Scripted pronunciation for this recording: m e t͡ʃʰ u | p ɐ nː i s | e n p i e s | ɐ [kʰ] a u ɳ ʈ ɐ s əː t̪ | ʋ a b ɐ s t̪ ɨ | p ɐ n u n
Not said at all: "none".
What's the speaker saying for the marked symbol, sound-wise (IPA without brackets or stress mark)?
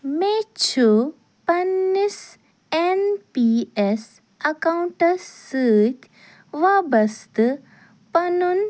k